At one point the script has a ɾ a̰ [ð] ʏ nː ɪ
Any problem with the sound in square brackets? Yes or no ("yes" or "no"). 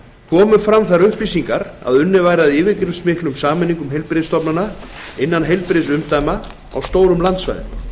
no